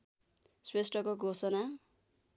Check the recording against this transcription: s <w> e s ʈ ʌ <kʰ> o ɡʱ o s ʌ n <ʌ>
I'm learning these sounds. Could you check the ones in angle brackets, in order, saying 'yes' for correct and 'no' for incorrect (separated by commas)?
yes, no, no